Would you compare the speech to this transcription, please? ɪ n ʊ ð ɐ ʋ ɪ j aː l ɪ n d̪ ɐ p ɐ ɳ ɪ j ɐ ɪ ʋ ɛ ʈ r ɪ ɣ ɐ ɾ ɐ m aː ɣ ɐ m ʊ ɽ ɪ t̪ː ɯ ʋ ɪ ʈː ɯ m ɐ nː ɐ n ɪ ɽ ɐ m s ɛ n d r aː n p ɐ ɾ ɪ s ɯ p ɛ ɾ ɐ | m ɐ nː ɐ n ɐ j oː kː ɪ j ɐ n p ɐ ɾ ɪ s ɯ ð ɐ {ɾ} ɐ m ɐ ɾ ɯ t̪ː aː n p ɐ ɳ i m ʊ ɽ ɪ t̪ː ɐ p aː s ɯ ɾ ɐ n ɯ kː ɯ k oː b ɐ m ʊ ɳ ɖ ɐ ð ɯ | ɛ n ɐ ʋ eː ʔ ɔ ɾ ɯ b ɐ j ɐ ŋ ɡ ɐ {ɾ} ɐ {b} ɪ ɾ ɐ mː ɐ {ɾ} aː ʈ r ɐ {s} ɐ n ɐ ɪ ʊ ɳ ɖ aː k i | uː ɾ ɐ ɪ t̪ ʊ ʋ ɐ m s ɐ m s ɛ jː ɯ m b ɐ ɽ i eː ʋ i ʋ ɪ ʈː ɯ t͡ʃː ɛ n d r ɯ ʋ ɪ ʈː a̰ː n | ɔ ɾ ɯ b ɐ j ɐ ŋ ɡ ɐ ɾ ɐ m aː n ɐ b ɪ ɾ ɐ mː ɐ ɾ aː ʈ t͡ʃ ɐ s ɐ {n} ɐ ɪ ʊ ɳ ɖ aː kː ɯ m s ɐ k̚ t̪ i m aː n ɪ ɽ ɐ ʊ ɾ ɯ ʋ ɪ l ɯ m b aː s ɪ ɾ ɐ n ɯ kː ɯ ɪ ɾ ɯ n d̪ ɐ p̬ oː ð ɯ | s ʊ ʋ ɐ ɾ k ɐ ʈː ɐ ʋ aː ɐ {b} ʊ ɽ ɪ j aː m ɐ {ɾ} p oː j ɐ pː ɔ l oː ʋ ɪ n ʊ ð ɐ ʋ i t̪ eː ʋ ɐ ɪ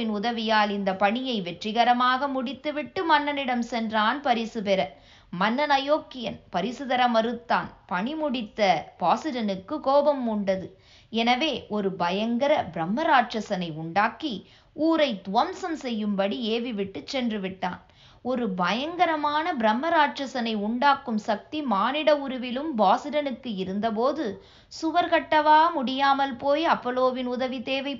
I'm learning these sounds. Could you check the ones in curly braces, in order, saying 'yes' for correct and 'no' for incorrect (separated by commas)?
yes, yes, yes, yes, yes, yes, no, no